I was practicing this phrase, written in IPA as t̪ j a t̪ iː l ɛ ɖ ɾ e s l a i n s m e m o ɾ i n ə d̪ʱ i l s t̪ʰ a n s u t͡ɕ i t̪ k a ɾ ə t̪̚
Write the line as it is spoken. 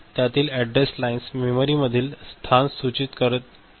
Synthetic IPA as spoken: t̪ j a t̪ iː l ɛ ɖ ɾ e s l a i n s m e m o ɾ i m ə d̪ʱ iː l s t̪ʰ a n s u t͡ɕ i t̪ k ə ɾ ə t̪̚